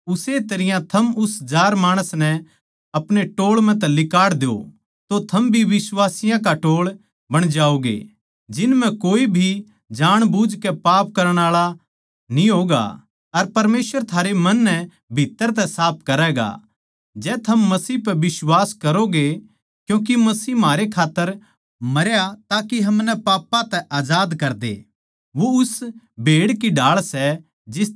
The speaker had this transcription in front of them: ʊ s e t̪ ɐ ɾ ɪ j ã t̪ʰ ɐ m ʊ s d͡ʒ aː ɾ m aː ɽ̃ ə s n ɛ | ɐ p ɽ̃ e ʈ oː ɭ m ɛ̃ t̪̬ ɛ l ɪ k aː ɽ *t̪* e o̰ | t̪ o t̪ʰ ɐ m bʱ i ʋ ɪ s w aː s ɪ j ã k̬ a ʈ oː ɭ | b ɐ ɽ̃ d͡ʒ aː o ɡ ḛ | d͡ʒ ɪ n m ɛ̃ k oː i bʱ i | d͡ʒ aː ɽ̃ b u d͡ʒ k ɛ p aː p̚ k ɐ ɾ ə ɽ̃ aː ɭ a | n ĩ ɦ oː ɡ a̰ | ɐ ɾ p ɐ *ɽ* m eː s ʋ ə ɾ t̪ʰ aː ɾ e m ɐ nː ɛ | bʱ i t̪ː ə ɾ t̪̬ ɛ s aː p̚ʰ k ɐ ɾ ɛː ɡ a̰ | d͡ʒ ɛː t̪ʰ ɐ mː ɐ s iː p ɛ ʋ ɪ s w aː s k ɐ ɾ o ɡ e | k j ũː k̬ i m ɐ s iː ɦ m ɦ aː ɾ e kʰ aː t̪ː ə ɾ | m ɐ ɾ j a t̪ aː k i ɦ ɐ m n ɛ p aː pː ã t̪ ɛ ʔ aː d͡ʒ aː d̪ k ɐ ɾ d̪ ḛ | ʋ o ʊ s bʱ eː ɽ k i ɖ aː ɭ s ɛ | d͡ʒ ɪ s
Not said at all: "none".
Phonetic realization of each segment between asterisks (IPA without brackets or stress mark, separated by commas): d̪, ɾ